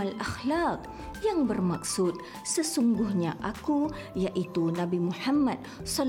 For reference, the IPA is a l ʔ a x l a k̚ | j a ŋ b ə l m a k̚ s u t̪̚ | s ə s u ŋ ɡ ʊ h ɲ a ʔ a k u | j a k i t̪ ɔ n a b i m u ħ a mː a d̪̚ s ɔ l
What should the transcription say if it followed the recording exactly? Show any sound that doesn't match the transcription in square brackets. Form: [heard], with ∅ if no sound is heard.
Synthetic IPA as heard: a l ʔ a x l a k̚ | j a ŋ b ə [r] m a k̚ s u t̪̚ | s ə s u ŋ ɡ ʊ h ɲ a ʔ a k u | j a [ʔ] i t̪ [u] n a b i m u ħ a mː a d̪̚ s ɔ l